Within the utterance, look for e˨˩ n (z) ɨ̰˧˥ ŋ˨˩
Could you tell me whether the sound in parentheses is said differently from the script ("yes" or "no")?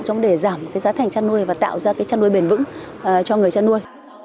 yes